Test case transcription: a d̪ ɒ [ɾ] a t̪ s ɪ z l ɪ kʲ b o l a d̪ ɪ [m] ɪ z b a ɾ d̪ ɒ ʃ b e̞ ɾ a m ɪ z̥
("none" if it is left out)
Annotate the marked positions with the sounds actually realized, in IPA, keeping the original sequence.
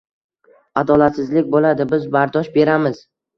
l, b

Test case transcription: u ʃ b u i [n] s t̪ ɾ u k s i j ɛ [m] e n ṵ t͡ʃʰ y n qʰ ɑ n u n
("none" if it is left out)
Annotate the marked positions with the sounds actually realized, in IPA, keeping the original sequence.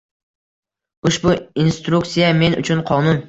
n, m

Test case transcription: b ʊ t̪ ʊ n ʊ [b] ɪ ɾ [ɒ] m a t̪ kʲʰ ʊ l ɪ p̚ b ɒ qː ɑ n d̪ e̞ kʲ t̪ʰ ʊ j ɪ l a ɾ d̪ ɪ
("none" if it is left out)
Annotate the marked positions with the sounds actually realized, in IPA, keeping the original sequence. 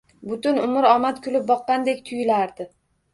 m, ɒ

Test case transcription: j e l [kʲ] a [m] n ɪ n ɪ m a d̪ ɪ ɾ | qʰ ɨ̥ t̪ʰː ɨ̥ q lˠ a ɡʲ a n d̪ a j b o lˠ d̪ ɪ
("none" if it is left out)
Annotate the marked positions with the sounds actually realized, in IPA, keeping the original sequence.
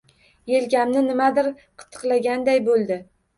ɡʲ, m

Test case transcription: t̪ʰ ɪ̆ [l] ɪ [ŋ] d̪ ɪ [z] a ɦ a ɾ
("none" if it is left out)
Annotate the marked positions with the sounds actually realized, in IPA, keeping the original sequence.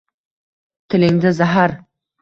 l, ŋ, z

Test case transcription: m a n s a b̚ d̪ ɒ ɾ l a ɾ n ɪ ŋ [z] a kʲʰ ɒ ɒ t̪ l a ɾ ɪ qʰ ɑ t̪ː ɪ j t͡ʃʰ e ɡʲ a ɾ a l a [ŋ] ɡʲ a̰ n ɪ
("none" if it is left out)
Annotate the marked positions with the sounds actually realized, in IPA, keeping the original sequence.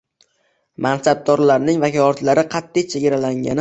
v, ŋ

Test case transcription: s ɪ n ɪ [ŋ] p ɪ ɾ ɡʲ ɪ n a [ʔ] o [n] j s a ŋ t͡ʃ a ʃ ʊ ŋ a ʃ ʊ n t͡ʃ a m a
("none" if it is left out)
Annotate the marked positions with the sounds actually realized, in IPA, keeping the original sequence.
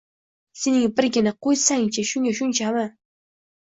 ŋ, q, none

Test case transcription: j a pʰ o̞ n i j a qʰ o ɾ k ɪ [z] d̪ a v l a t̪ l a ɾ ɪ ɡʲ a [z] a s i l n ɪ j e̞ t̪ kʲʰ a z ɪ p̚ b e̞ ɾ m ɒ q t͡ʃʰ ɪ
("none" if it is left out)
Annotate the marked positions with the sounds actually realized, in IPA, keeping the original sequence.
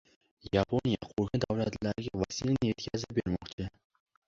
none, v

